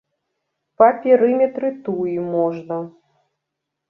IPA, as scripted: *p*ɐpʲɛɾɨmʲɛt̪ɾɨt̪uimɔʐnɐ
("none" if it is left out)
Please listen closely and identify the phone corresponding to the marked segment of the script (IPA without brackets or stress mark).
p